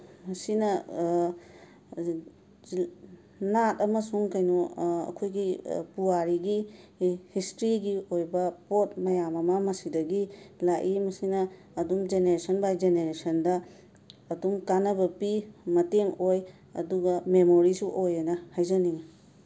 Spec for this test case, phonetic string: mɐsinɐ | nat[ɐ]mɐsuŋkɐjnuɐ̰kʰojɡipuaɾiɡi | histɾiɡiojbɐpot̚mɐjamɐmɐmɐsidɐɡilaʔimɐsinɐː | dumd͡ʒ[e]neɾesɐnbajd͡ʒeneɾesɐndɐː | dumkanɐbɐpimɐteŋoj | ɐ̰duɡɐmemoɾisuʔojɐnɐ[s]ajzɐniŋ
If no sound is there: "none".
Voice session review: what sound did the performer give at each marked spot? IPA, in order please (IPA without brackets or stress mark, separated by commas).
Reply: ɐ, e, h